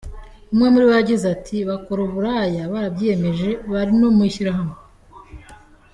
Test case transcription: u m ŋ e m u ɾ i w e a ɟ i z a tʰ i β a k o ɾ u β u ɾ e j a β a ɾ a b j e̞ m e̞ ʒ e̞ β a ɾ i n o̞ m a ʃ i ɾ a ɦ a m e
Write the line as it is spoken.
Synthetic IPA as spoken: u m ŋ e m u ɾ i w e a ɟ i z a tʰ i β a k o ɾ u β u ɾ a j a β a ɾ a b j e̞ m e̞ ʒ e̞ β a ɾ i n o̞ m i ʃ i ɾ a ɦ a m e